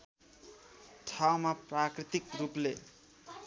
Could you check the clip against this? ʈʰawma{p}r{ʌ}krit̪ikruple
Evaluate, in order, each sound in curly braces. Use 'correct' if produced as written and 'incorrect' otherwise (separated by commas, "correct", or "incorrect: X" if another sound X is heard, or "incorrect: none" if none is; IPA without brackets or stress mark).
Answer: correct, incorrect: a